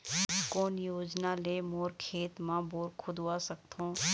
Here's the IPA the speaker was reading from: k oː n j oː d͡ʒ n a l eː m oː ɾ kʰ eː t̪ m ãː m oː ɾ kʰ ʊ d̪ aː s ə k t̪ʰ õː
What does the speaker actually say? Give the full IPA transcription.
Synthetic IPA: k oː n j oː d͡ʒ n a l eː m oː ɾ kʰ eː t̪ m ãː b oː ɾ kʰ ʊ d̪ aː s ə k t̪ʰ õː